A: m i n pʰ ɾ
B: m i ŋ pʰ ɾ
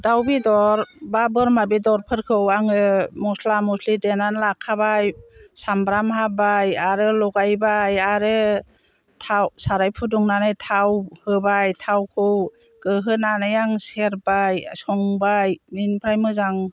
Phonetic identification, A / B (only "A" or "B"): A